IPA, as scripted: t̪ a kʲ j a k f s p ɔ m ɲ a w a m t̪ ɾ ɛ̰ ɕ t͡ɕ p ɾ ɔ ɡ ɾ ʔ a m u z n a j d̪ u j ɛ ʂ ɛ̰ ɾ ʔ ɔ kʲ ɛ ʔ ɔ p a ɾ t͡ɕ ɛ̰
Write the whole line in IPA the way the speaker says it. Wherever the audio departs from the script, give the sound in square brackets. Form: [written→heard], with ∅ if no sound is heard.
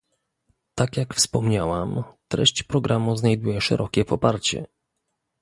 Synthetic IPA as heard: t̪ a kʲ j a k f s p ɔ m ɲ a w a m t̪ ɾ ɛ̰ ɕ t͡ɕ p ɾ ɔ ɡ ɾ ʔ a m u z n a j d̪ u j ɛ ʂ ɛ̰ ɾ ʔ ɔ kʲ ɛ [ʔ→p] ɔ p a ɾ t͡ɕ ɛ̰